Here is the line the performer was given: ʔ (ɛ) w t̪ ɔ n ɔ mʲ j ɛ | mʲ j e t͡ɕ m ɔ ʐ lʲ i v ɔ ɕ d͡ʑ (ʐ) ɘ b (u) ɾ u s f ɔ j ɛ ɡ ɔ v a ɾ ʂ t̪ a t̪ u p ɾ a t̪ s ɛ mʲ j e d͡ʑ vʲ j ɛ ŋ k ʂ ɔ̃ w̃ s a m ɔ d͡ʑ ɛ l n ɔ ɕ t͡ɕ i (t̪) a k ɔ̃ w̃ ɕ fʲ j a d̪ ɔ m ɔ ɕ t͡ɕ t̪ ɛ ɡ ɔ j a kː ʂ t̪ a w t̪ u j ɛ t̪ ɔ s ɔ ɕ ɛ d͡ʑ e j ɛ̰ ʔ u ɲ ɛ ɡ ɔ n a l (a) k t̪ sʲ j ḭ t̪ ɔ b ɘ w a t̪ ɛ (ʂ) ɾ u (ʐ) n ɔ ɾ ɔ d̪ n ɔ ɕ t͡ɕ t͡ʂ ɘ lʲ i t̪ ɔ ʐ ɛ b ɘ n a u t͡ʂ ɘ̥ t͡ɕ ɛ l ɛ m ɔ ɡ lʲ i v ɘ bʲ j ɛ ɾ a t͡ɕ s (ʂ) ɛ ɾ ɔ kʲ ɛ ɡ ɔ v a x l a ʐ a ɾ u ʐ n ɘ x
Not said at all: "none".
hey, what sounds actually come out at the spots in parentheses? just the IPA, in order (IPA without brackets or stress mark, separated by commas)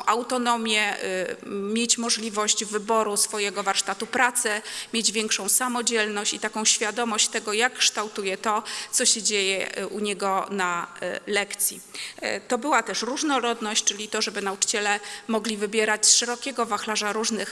a, v, ɔ, t̪, ɛ, ʂ, ʐ, ʂ